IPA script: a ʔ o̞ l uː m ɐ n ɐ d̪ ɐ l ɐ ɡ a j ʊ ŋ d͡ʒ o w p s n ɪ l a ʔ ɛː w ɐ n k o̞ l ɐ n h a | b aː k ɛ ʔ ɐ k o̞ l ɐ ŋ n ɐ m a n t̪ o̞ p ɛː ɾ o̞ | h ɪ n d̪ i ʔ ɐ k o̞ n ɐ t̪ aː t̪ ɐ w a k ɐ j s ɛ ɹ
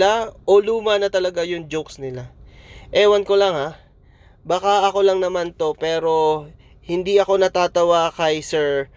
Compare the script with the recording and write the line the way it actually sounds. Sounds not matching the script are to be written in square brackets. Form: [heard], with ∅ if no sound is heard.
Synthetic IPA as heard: a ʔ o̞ l uː m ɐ n ɐ [t̪] ɐ l ɐ ɡ a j ʊ ŋ d͡ʒ o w [k] s n ɪ l a ʔ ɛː w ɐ n k o̞ l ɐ [ŋ] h a | b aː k [a] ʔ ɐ k o̞ l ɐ ŋ n ɐ m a n t̪ o̞ p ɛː ɾ o̞ | h ɪ n d̪ i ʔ ɐ k o̞ n ɐ t̪ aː t̪ ɐ w a k ɐ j s ɛ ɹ